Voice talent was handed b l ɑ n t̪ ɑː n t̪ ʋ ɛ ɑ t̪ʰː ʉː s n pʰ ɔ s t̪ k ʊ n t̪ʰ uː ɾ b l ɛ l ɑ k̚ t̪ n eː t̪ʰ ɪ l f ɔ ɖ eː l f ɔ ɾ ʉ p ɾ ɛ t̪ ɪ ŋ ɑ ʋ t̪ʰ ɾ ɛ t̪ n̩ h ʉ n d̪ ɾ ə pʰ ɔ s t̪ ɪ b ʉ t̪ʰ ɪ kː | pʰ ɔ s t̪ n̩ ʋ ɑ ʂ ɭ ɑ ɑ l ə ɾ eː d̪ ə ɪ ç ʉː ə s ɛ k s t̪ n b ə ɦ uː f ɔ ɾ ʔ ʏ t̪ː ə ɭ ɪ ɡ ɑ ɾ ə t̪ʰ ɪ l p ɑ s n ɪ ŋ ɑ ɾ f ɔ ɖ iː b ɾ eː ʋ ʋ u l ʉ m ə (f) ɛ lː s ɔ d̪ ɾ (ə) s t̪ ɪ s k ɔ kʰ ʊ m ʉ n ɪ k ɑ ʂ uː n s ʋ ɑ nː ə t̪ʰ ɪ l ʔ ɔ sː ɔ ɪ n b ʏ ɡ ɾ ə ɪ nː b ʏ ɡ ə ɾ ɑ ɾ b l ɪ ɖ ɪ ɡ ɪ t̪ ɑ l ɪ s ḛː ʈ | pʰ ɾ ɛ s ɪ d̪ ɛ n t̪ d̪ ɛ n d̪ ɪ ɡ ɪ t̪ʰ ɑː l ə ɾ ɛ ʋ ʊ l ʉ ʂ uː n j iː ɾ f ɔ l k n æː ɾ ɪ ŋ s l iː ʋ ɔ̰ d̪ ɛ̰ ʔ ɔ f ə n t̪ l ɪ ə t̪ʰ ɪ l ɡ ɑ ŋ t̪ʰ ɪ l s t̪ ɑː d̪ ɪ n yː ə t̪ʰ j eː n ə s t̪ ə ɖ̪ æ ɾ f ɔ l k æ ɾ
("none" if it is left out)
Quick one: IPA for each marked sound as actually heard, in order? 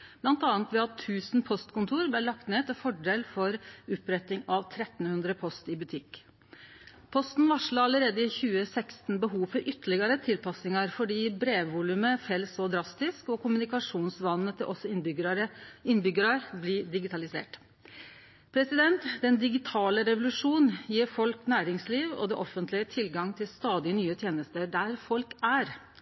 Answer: f, ɑ

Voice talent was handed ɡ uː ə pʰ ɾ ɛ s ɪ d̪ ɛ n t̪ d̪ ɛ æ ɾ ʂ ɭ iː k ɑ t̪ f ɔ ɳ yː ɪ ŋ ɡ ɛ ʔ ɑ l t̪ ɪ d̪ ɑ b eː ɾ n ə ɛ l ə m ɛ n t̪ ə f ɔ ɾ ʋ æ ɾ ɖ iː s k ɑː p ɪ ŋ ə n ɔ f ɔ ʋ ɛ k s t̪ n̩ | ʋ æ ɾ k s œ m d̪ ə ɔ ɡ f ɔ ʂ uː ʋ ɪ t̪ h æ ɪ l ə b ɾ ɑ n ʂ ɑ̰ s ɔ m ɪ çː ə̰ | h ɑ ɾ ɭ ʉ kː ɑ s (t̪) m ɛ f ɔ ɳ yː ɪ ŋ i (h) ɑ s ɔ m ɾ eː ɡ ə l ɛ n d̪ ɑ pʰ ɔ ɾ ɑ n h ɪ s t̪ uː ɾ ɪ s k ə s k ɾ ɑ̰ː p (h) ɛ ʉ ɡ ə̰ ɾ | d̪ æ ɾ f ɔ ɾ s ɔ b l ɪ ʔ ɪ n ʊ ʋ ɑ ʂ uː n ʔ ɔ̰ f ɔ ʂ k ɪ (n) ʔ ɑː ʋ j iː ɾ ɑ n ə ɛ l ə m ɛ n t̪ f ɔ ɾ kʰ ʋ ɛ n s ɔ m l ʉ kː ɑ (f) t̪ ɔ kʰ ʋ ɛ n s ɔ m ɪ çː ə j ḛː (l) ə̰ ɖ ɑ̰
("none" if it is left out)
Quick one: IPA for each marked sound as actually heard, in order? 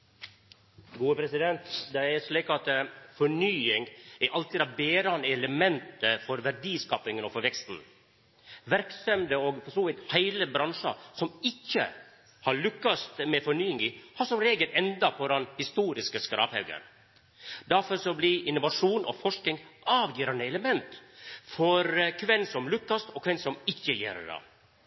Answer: t̪, h, h, ŋ, s, ɾ

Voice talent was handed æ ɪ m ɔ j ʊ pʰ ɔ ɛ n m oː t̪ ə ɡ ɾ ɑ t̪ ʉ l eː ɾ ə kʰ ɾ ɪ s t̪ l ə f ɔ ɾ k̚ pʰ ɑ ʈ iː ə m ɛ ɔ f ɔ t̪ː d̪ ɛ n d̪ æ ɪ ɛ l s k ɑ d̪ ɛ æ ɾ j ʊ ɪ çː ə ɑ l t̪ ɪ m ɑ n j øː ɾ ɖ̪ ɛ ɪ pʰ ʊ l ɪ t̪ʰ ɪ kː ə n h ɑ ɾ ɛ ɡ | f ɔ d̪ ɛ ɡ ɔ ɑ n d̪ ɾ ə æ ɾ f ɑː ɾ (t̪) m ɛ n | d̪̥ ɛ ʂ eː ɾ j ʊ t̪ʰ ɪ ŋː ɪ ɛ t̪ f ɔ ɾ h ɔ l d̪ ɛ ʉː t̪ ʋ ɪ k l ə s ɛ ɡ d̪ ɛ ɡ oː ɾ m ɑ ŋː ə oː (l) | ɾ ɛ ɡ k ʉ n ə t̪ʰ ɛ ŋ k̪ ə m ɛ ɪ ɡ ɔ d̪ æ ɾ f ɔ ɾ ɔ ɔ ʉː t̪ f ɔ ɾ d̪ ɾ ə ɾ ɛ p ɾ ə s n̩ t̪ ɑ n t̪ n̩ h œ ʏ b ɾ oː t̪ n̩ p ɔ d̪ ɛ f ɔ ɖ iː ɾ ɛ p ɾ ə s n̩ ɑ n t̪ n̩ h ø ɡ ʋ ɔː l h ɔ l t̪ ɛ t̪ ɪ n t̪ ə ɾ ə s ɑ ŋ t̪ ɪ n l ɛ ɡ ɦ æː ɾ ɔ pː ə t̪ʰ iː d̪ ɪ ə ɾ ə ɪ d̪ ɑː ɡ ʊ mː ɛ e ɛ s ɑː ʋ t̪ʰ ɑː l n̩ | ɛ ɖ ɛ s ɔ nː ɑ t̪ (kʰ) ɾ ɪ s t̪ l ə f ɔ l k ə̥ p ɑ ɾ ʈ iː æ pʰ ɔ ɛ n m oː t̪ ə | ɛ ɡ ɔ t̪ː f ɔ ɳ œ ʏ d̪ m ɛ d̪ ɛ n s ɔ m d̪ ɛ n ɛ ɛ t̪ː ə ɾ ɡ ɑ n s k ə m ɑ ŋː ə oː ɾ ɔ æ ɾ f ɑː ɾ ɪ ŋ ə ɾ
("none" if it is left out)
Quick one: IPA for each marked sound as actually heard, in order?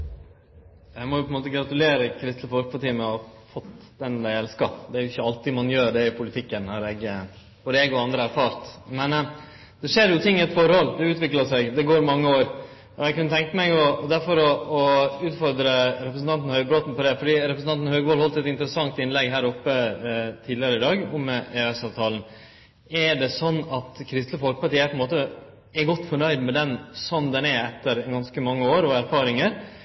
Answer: t̪, ɾ, kʰ

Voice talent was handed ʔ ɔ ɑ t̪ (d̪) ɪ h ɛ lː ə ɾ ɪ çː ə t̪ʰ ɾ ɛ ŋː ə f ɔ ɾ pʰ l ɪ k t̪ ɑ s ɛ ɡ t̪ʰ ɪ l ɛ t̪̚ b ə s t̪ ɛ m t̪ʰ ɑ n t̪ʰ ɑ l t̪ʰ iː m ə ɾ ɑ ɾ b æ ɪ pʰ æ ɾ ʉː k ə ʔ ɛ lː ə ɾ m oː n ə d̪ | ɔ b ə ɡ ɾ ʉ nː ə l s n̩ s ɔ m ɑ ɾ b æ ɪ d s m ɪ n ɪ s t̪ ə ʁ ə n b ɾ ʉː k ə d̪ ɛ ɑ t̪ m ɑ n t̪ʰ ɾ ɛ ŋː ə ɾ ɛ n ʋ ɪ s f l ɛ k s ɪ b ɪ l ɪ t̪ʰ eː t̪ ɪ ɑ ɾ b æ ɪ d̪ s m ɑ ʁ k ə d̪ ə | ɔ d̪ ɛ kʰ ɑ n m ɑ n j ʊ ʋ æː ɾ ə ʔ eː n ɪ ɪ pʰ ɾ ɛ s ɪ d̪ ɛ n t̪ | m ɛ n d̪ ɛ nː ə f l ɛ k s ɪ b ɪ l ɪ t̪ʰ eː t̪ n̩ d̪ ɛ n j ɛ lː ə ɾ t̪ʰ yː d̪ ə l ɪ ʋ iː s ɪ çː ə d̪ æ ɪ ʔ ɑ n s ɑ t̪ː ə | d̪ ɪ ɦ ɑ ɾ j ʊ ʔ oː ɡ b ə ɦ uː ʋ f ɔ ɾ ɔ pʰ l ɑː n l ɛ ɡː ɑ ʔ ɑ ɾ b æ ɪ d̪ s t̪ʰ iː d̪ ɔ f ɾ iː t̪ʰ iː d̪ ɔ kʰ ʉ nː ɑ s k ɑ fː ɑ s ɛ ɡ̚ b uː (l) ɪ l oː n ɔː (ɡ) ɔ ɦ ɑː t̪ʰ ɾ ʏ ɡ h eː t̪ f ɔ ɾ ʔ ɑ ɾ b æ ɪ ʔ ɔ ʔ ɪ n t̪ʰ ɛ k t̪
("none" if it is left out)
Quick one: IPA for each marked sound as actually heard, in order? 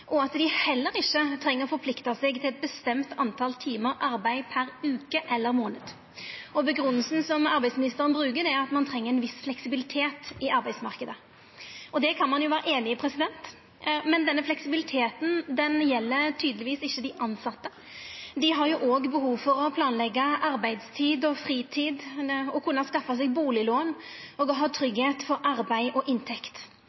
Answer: d̪, l, ɡ

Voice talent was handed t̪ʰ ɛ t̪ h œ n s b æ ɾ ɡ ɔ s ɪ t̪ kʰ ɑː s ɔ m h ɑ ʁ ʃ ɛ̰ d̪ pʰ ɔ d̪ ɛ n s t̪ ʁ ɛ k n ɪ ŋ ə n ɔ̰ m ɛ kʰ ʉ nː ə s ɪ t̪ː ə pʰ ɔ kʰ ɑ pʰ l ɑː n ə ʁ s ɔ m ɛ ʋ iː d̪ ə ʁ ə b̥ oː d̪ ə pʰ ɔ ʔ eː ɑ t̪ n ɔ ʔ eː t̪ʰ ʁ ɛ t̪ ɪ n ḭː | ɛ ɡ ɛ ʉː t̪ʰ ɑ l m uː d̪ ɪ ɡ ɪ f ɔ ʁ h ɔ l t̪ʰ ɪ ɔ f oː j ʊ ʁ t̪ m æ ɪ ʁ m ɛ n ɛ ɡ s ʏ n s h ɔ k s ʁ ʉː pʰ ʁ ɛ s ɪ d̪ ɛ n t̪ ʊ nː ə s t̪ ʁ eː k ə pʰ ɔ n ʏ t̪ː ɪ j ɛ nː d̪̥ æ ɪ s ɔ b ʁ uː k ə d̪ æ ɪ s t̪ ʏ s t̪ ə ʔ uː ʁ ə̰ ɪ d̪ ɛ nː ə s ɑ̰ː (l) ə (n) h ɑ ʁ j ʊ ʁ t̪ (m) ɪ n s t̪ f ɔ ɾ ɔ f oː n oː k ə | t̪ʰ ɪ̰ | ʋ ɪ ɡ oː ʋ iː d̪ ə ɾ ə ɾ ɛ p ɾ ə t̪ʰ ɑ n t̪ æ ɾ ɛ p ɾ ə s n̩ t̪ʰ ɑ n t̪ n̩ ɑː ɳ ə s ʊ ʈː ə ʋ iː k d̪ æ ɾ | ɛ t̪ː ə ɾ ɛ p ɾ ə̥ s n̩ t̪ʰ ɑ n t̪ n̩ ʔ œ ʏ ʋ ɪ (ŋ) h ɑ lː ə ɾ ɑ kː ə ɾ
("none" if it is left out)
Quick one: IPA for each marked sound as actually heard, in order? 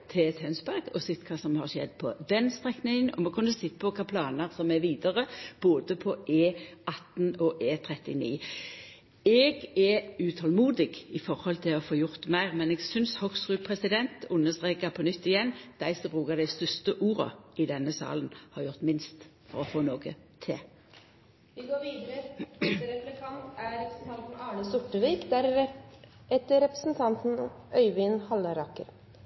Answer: l, n, m, n

